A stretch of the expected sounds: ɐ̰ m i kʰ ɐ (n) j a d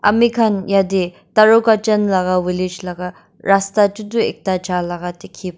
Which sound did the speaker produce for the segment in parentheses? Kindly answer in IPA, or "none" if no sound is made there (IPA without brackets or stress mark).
n